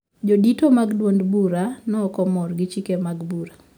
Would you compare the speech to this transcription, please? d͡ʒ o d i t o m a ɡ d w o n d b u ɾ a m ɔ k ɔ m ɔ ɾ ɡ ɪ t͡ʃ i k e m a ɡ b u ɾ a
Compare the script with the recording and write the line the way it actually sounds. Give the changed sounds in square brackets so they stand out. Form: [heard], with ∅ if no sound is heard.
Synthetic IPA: d͡ʒ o d i t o m a ɡ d w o n d b u ɾ a [n] ɔ k ɔ m ɔ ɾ ɡ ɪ t͡ʃ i k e m a ɡ b u ɾ a